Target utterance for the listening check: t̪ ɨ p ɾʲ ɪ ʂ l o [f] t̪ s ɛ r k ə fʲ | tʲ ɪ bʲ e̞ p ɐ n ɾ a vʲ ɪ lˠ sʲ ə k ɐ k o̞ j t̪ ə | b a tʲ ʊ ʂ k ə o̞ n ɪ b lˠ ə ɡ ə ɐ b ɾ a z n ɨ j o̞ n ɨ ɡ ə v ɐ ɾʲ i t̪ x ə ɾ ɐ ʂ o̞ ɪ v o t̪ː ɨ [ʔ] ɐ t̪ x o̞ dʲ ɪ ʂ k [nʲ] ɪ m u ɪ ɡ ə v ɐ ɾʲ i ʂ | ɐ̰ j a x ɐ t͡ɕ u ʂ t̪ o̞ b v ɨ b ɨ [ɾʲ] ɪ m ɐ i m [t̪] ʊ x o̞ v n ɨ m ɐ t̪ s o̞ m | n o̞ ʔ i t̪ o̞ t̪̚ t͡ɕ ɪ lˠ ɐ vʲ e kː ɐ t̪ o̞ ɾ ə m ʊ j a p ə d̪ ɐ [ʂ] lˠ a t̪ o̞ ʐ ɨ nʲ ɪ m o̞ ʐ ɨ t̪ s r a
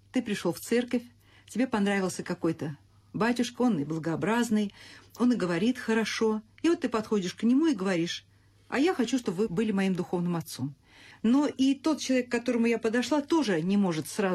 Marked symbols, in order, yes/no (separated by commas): yes, no, yes, no, no, yes